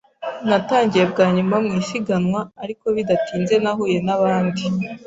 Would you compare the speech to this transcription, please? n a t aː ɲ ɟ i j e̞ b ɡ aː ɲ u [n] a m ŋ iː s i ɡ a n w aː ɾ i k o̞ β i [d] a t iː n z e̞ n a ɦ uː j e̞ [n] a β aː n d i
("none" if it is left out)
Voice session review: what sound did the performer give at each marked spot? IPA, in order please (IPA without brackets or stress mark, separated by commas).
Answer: m, d, n